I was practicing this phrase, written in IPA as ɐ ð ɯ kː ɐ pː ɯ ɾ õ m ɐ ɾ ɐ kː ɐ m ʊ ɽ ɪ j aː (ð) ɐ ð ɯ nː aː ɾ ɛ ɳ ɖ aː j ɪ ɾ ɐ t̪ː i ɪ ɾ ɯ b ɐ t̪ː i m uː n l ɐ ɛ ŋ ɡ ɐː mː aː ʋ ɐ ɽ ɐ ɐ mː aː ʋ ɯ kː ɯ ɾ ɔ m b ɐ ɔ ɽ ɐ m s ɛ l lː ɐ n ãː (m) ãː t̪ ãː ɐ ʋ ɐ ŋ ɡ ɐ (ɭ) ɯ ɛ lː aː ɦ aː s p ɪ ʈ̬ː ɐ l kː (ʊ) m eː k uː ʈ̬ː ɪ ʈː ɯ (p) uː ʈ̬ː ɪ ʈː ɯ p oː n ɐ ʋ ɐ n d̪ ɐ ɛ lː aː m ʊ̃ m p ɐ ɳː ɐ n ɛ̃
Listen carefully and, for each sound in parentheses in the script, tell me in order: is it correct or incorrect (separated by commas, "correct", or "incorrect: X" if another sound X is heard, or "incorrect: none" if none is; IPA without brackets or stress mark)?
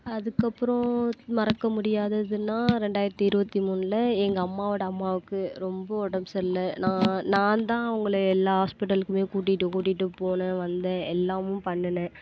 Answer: correct, incorrect: n, correct, incorrect: ɯ, incorrect: k